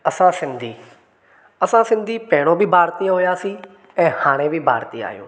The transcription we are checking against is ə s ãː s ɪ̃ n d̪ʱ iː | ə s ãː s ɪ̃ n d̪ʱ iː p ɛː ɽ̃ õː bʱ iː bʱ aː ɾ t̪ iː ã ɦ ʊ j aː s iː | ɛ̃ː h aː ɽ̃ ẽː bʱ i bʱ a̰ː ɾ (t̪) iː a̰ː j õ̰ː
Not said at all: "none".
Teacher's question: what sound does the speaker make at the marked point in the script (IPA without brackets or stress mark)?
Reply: t̪